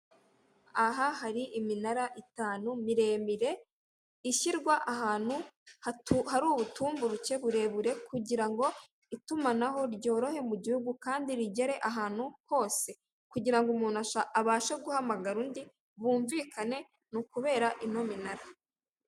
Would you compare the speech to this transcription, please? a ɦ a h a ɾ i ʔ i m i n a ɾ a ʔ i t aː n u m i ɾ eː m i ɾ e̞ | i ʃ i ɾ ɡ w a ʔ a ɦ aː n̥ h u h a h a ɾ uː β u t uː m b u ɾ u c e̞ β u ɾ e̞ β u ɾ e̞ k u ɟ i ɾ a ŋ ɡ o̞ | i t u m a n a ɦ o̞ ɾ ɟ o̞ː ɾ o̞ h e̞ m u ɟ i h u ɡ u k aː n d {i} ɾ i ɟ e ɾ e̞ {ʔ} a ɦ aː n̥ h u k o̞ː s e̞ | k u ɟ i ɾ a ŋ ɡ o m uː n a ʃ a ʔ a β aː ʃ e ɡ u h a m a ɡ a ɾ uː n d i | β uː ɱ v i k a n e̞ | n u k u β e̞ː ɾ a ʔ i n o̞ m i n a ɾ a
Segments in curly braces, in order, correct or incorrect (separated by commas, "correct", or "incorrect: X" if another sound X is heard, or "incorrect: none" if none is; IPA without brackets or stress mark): correct, correct